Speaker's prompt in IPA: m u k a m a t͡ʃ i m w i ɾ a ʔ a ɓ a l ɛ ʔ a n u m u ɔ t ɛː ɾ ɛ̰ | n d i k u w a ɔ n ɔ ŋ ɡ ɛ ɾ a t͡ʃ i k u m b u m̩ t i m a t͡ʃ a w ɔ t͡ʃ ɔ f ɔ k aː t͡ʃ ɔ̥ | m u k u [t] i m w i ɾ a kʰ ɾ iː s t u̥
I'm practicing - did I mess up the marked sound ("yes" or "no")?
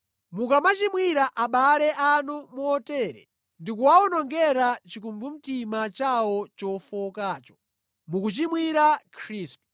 yes